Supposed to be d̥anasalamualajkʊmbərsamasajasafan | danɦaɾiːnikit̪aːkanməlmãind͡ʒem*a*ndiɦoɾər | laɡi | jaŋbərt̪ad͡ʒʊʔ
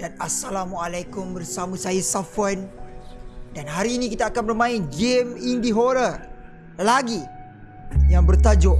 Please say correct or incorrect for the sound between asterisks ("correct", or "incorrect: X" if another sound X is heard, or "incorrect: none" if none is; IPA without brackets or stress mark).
incorrect: i